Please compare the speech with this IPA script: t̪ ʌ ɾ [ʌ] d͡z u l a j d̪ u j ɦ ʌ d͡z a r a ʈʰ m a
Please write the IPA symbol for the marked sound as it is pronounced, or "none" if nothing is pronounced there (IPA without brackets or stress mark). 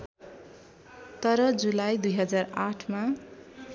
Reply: ʌ